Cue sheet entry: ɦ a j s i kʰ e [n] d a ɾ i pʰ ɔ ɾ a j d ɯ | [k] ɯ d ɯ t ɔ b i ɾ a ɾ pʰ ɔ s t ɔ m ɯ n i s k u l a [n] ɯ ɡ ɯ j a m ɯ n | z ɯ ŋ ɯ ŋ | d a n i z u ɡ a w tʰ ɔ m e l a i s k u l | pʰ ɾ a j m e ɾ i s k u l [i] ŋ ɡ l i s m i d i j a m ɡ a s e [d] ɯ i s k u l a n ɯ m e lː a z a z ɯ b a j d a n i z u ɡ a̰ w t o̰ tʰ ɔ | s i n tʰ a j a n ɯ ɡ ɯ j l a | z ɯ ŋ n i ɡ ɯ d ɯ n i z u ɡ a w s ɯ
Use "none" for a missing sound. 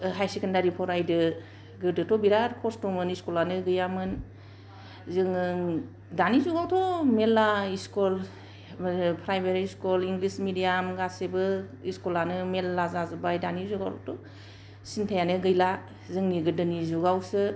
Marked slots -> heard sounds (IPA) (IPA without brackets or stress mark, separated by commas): n, ɡ, n, i, b